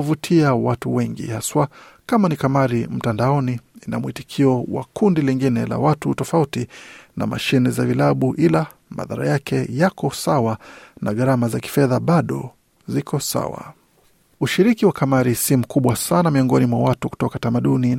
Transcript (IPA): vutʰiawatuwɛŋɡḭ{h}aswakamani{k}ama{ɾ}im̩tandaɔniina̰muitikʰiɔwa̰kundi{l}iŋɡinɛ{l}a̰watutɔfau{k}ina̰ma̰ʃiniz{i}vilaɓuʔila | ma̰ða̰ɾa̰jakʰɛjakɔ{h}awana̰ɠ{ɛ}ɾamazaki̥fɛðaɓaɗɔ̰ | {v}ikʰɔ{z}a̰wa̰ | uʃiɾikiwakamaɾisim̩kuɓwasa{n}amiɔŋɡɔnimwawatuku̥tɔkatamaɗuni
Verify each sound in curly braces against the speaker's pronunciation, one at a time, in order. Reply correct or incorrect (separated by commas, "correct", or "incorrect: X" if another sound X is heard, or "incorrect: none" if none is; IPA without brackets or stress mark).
correct, correct, correct, correct, correct, incorrect: t, incorrect: a, incorrect: s, incorrect: a, incorrect: z, incorrect: s, correct